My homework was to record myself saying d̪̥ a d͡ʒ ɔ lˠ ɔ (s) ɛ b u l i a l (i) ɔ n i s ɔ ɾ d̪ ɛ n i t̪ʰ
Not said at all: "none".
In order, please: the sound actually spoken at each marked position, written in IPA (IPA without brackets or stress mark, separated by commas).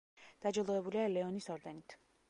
none, ɛ